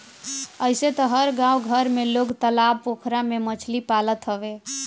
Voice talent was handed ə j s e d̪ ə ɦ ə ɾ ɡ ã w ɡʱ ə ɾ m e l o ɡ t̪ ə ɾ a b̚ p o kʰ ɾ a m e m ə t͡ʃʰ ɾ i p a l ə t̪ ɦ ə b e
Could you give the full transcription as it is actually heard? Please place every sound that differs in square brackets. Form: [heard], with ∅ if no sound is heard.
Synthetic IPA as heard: ə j s e [t̪] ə ɦ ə ɾ ɡ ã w ɡʱ ə ɾ m e l o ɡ t̪ ə [l] a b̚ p o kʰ ɾ a m e m ə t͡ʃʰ [l] i p a l ə t̪ ɦ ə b e